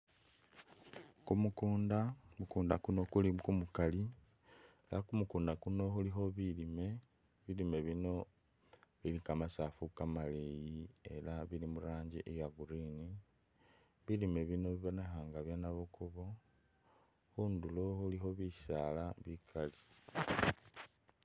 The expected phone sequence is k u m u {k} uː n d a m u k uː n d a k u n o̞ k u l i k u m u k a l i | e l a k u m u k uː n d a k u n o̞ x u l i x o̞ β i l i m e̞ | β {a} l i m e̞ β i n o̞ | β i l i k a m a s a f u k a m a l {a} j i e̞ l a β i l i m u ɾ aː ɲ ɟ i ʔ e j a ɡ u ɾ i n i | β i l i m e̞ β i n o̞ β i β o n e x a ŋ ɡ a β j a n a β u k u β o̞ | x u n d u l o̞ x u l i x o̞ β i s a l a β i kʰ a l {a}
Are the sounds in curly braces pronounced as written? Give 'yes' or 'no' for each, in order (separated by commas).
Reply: yes, no, no, no